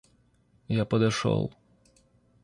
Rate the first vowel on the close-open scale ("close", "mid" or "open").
open